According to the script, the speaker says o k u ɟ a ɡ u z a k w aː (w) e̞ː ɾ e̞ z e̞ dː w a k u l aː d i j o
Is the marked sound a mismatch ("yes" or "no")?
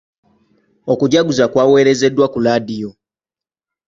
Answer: no